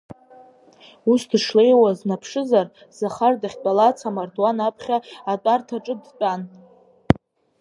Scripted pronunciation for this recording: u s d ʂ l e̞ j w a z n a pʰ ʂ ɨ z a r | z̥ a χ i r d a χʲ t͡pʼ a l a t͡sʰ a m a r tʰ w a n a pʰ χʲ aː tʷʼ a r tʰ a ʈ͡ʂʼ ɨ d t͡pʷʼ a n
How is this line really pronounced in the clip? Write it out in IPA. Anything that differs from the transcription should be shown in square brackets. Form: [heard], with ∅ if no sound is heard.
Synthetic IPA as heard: u s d ʂ l e̞ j w a z n a pʰ ʂ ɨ z a r | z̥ a χ [a] r d a χʲ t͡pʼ a l a t͡sʰ a m a r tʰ w a n a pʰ χʲ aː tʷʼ a r tʰ a ʈ͡ʂʼ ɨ d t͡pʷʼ a n